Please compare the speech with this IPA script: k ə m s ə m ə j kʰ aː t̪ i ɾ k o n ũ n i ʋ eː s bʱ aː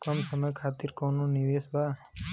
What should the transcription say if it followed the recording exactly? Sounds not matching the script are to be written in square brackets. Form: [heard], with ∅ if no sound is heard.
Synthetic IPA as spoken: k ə m s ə m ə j kʰ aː t̪ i ɾ k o n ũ n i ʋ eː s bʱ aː

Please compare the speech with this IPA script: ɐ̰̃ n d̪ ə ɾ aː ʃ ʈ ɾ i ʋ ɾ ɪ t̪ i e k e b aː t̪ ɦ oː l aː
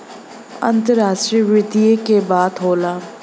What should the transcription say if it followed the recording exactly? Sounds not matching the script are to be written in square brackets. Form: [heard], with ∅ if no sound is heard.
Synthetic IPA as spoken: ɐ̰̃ n [t̪] ə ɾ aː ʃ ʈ ɾ i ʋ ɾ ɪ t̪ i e k e b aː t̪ ɦ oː l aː

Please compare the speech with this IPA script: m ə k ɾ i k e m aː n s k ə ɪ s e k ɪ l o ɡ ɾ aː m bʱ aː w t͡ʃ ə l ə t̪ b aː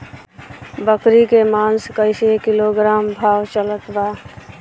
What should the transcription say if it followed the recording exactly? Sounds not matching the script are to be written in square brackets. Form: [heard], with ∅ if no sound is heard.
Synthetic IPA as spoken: [b] ə k ɾ i k e m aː n s k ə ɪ s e k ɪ l o ɡ ɾ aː m bʱ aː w t͡ʃ ə l ə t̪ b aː

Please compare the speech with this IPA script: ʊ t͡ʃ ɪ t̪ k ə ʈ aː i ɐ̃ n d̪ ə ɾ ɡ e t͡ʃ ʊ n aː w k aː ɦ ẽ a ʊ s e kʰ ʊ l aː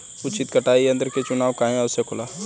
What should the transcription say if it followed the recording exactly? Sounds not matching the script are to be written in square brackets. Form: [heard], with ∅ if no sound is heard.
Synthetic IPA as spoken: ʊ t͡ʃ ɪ t̪ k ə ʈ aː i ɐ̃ n d̪ ə ɾ [k] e t͡ʃ ʊ n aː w k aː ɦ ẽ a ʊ s e kʰ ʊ l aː

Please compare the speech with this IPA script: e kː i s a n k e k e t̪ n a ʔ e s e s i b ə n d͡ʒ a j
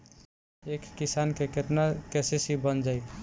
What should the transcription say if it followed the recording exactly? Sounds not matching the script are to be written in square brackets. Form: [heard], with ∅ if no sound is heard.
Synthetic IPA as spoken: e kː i s a n k e k e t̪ n a [k] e s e s i b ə n d͡ʒ a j

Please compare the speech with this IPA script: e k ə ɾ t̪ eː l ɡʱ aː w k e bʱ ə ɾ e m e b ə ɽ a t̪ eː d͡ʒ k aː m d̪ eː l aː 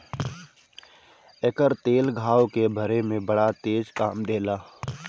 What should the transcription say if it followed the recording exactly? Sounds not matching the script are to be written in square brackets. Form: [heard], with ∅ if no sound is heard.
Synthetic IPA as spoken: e k ə ɾ t̪ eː l ɡʱ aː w k e bʱ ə ɾ e m [ẽ] b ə ɽ a t̪ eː d͡ʒ k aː m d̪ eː l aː

